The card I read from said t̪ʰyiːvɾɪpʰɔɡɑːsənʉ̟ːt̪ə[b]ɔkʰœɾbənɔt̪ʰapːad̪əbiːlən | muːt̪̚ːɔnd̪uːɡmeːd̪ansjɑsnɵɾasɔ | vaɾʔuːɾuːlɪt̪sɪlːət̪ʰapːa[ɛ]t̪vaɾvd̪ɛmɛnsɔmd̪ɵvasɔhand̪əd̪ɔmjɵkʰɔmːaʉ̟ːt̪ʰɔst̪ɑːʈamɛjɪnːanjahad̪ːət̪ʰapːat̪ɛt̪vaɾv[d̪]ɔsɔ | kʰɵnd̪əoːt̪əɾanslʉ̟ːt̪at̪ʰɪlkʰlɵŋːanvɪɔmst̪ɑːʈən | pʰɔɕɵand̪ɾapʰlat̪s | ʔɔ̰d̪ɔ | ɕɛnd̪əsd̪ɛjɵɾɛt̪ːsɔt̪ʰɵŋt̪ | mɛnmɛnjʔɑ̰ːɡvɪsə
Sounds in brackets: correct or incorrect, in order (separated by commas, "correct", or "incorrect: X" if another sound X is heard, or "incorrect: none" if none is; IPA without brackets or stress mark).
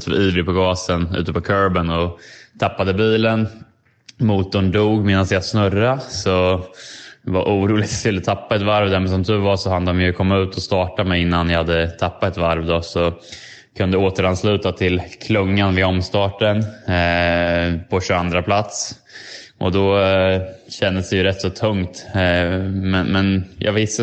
incorrect: p, correct, correct